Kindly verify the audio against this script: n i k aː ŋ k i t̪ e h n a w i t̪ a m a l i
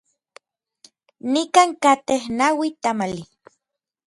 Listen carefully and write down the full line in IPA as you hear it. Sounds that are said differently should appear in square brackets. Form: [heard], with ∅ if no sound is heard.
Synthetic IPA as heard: n i k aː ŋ k [a] t̪ e h n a w i t̪ a m a l i